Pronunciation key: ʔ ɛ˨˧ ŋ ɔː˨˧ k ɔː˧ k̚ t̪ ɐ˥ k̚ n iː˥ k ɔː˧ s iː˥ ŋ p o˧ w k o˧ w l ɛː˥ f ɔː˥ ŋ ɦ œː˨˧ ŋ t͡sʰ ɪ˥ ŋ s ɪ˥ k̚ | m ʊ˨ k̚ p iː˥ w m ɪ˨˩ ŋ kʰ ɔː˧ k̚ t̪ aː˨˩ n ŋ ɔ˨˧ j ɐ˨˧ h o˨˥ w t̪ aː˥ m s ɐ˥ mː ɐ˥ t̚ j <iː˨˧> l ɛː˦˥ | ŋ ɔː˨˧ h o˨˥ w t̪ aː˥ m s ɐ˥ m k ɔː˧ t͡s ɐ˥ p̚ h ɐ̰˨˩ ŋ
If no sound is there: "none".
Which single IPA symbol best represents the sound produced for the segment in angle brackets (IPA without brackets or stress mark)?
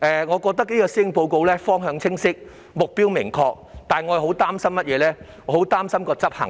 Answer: ɛː˨˧